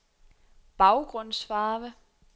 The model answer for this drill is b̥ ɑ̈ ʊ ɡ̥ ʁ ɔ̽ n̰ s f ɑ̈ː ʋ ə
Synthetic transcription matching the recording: b̥ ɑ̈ ʊ ɡ̥ ʁ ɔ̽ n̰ s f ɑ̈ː ʋ ə